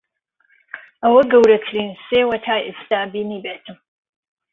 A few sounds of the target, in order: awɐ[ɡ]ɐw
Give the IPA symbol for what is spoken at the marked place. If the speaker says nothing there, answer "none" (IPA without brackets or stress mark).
ɡ